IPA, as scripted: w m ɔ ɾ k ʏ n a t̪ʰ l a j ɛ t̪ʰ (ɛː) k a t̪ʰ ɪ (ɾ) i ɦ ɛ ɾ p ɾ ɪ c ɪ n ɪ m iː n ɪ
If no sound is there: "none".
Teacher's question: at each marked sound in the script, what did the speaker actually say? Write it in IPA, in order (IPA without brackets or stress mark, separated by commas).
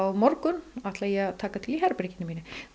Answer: aː, l